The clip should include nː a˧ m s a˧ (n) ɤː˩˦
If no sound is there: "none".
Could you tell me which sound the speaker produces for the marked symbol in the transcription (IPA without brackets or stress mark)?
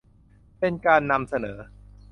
n